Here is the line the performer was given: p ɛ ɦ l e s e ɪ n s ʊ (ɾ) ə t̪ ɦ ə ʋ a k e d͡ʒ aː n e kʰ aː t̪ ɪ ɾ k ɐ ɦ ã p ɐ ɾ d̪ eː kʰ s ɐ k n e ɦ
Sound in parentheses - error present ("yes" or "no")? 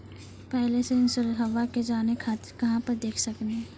no